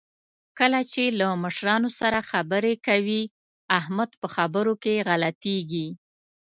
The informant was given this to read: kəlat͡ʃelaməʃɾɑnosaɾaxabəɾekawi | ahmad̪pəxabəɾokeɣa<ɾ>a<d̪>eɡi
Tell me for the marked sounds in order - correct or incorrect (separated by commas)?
incorrect, incorrect